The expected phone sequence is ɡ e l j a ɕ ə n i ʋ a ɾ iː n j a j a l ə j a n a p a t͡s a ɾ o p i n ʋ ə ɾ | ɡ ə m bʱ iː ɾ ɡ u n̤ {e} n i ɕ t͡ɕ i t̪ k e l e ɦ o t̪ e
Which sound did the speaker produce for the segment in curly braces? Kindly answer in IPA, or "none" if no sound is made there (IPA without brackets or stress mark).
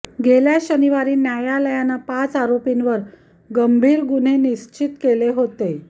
e